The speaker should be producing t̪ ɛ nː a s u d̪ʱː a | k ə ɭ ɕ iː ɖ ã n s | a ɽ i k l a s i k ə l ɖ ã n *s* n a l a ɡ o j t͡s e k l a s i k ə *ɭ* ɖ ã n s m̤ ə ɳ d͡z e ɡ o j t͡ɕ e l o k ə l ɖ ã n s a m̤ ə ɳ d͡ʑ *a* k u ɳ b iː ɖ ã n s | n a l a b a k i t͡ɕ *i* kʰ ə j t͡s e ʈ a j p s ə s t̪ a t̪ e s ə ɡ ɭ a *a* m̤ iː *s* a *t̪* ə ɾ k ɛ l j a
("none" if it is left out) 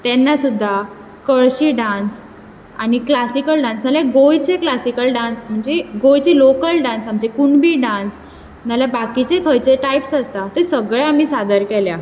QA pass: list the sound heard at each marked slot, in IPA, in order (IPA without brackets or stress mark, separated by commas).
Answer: s, l, e, e, a, s, d̪